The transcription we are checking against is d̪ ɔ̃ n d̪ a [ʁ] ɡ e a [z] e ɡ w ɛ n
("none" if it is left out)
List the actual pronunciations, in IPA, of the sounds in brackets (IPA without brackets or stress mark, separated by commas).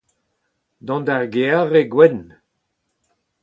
ʁ, ʁ